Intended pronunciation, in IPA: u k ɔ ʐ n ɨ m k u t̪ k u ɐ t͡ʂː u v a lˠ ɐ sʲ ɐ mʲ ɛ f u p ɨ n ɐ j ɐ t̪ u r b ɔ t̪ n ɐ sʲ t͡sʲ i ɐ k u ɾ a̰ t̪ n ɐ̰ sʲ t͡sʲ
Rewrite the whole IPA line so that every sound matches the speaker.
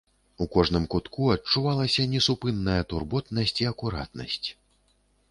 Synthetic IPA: u k ɔ ʐ n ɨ m k u t̪ k u ɐ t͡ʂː u v a lˠ ɐ sʲ ɐ nʲ ɛ s u p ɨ nː ɐ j ɐ t̪ u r b ɔ t̪ n ɐ sʲ t͡sʲ i ɐ k u ɾ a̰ t̪ n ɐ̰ sʲ t͡sʲ